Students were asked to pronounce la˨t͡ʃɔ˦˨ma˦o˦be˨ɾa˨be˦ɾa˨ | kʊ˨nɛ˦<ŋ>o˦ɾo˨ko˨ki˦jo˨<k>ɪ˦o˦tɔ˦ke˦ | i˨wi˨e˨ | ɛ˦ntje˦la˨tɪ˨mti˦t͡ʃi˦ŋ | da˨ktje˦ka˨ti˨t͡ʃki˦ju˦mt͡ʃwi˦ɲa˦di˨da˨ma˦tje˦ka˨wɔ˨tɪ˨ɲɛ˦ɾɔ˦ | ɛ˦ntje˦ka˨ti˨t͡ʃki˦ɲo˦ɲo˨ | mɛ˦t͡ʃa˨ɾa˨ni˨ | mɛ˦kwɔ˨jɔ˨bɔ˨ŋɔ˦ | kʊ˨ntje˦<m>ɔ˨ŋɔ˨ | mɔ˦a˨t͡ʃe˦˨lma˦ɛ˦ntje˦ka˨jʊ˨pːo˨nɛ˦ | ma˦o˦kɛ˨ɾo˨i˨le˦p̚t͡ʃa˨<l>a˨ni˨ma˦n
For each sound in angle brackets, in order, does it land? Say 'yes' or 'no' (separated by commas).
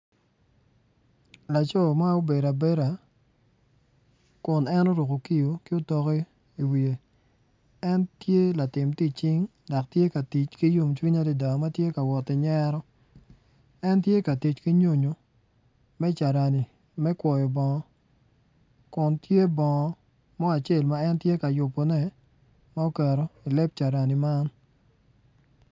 no, yes, no, no